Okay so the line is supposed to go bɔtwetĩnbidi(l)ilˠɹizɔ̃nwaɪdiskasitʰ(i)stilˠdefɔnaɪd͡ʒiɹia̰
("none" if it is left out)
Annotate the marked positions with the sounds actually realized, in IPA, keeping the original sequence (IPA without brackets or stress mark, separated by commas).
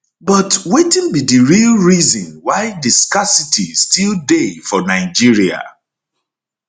ɹ, i